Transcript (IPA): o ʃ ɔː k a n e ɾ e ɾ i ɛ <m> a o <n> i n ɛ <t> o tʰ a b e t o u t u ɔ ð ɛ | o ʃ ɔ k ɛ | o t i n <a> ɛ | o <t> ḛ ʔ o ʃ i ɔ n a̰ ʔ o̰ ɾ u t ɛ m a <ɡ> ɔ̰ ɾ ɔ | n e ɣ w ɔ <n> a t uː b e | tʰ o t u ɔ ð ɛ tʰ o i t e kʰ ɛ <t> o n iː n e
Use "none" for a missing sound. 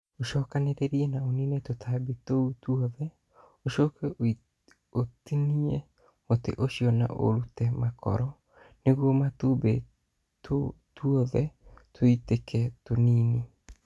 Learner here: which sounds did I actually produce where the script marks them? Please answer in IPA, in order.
n, n, t, i, t, k, m, t

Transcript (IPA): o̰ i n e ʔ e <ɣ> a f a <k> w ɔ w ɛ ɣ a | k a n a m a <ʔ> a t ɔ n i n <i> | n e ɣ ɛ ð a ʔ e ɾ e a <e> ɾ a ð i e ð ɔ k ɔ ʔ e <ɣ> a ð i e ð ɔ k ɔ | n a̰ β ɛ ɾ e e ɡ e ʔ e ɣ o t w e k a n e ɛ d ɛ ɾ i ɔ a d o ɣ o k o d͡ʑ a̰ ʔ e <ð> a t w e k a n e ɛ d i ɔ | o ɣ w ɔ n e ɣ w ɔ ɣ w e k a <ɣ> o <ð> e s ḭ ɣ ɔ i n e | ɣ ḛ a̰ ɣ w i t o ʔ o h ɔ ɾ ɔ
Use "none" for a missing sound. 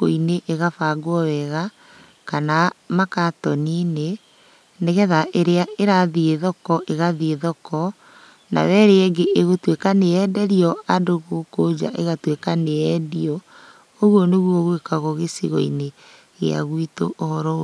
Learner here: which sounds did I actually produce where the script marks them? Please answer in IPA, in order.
ɣ, ɡ, k, e, e, ɣ, ɣ, ɣ, ɣ

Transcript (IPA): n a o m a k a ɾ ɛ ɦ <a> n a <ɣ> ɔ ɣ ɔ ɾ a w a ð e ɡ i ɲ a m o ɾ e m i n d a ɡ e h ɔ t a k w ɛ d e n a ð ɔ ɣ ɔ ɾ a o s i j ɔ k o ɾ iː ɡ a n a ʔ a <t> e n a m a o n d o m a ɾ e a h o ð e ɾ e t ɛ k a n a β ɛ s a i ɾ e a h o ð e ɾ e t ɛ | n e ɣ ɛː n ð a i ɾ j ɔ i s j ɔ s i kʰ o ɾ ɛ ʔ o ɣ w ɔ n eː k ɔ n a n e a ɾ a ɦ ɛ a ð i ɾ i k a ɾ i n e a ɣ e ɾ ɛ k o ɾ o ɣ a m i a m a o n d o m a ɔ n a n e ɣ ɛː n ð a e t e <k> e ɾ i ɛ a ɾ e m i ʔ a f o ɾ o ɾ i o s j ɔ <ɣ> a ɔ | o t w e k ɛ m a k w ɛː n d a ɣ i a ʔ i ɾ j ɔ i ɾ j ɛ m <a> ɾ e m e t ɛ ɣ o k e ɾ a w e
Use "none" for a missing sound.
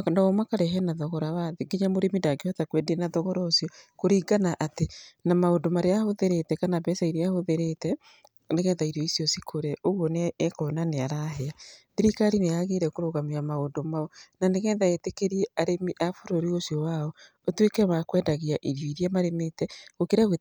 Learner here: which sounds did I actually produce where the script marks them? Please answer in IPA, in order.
ɛ, ð, t, k, w, a

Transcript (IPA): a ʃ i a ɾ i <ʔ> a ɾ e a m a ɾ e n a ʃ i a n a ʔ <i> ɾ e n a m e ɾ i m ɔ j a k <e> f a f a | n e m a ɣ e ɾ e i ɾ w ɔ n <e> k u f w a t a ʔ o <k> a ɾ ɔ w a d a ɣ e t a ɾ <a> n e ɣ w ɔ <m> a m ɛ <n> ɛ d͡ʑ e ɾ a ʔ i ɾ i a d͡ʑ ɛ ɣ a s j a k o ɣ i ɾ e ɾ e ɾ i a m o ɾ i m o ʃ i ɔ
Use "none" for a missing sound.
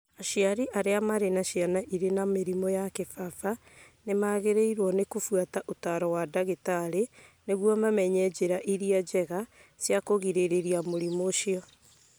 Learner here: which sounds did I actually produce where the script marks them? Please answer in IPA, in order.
ʔ, i, e, e, t, e, m, ɲ

